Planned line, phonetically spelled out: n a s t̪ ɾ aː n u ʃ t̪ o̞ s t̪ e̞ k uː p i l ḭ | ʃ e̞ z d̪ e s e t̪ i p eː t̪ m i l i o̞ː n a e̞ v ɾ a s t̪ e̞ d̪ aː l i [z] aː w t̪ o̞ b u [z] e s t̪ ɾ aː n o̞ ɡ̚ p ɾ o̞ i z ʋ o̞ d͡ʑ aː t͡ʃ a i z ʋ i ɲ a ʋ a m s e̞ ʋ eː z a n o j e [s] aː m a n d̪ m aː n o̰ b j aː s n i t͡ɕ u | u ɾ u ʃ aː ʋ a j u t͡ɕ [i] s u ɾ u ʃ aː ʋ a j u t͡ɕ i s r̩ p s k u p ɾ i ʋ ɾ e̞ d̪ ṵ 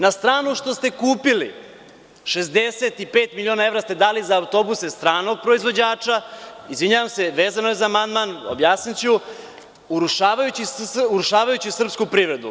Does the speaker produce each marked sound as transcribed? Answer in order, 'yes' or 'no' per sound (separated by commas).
yes, no, no, yes